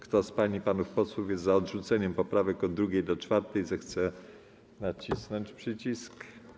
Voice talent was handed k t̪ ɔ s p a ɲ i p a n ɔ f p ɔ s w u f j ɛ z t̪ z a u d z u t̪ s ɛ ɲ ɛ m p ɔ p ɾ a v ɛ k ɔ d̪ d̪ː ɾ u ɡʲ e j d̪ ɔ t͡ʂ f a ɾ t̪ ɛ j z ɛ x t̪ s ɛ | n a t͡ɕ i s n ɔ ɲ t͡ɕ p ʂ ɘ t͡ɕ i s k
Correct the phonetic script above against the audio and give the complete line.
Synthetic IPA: k t̪ ɔ s p a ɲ i p a n u f p ɔ s w u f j ɛ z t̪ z a ɔ d ʐ u t̪ s ɛ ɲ ɛ m p ɔ p ɾ a v ɛ k ɔ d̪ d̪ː ɾ u ɡʲ e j d̪ ɔ t͡ʂ f a ɾ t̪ ɛ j z ɛ x t̪ s ɛ | n a t͡ɕ i s n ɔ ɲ t͡ɕ p ʂ ɘ t͡ɕ i s k